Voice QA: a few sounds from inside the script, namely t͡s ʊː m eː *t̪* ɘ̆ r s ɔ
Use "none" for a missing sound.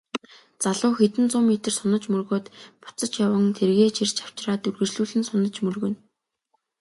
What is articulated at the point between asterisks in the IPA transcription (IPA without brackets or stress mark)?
t̪